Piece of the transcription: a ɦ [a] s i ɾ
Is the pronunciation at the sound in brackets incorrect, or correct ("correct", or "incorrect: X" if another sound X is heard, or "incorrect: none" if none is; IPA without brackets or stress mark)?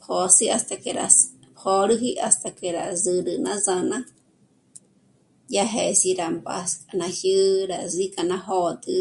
incorrect: e